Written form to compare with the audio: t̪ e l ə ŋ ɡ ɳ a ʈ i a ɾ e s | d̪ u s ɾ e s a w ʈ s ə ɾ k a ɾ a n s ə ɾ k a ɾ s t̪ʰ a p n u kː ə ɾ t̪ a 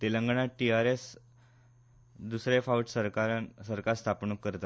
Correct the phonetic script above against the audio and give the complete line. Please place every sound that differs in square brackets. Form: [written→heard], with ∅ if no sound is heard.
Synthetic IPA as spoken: t̪ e l ə ŋ ɡ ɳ a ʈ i a ɾ e s | d̪ u s ɾ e [s→f] a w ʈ s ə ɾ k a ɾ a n s ə ɾ k a ɾ s t̪ʰ a p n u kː ə ɾ t̪ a